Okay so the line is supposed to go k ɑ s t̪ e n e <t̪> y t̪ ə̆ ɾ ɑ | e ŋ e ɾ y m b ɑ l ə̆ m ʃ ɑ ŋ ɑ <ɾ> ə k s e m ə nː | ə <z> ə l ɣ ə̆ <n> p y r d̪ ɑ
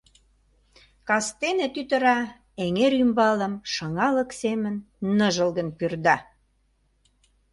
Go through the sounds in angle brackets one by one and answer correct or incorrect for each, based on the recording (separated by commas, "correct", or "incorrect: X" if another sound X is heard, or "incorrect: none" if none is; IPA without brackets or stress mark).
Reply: correct, incorrect: l, incorrect: ʒ, correct